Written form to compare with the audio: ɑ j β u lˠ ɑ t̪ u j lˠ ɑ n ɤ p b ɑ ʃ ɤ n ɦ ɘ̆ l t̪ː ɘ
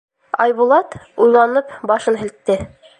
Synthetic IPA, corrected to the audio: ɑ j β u lˠ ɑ t̪ u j lˠ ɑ n ɤ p b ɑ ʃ ɤ n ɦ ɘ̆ l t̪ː ɘ